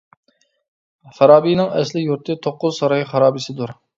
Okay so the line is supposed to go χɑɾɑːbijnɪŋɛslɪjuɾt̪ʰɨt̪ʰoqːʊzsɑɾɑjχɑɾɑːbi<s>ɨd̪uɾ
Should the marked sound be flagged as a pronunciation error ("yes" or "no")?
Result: no